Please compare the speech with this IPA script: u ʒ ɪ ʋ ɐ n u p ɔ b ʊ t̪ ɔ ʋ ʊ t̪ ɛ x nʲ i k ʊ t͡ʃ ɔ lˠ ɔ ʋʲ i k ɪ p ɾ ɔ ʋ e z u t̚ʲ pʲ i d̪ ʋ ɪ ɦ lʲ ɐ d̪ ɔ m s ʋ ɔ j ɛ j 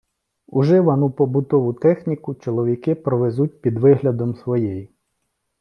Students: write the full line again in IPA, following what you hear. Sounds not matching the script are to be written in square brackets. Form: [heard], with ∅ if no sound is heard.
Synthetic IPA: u ʒ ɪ ʋ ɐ n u p ɔ b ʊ t̪ ɔ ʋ ʊ t̪ ɛ x nʲ i k ʊ t͡ʃ ɔ lˠ ɔ ʋʲ i k ɪ p ɾ ɔ ʋ e z u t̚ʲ pʲ i d̪ ʋ ɪ ɦ lʲ ɐ d̪ ɔ m s ʋ ɔ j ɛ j